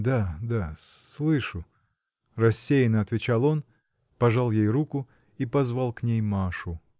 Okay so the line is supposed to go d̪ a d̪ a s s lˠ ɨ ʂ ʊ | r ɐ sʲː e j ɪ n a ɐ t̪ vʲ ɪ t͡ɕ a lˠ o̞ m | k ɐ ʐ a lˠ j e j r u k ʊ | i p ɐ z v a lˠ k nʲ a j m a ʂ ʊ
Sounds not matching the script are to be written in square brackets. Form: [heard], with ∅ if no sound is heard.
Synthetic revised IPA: d̪ a d̪ a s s lˠ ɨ ʂ ʊ | r ɐ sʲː e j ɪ n [ə] ɐ t̪ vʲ ɪ t͡ɕ a lˠ o̞ [n] | [p] ɐ ʐ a lˠ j e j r u k ʊ | i p ɐ z v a lˠ k nʲ [e] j m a ʂ ʊ